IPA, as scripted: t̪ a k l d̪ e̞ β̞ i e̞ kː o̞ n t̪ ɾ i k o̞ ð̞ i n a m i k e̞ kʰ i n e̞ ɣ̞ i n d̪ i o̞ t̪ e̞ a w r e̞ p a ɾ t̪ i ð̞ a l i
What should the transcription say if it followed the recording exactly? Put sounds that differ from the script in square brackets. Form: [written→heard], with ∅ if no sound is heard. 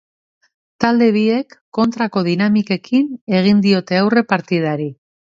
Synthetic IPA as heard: t̪ a [k→∅] l d̪ e̞ β̞ i e̞ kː o̞ n t̪ ɾ [i→a] k o̞ ð̞ i n a m i k e̞ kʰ i n e̞ ɣ̞ i n d̪ i o̞ t̪ e̞ a w r e̞ p a ɾ t̪ i ð̞ a [l→ɾ] i